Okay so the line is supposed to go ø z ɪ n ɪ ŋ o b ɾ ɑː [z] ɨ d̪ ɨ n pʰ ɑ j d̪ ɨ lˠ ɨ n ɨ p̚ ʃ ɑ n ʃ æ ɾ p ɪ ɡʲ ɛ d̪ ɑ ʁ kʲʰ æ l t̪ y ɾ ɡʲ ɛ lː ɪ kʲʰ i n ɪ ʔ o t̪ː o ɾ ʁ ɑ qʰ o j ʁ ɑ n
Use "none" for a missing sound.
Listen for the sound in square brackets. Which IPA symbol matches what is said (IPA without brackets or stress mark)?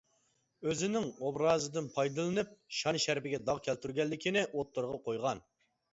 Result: z